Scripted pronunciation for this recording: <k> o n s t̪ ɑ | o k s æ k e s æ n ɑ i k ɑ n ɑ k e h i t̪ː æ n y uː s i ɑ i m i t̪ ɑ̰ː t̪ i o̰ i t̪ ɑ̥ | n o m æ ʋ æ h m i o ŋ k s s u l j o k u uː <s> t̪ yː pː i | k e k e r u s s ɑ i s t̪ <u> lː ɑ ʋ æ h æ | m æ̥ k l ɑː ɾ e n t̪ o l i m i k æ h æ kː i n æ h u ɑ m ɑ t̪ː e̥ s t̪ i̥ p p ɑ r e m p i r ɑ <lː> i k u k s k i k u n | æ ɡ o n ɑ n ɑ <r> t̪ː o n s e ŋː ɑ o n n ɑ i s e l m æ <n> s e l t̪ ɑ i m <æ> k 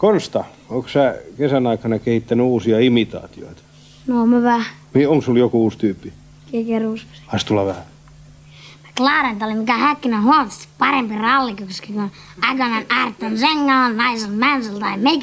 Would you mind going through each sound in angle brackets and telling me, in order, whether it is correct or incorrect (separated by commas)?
correct, correct, correct, correct, correct, correct, incorrect